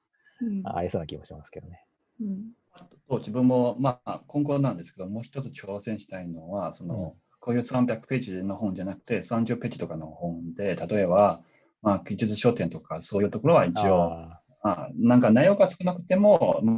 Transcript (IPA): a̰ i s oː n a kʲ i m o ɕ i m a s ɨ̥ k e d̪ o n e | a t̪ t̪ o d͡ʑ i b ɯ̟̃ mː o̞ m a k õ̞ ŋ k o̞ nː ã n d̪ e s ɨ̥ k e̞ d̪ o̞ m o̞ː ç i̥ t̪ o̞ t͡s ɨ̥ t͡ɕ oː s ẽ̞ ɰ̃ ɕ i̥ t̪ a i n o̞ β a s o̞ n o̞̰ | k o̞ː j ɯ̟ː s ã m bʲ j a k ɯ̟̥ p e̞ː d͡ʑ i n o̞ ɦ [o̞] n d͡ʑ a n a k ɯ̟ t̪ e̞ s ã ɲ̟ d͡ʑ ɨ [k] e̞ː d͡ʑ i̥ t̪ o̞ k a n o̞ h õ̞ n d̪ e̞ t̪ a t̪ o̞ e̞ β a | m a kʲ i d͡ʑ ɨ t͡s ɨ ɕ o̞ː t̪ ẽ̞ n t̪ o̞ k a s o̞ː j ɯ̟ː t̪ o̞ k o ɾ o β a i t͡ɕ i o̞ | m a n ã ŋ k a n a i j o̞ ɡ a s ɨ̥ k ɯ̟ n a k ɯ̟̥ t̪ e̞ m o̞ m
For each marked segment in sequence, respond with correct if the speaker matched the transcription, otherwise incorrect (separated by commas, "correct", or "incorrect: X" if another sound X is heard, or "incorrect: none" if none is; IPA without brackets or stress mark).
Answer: incorrect: õ̞, incorrect: p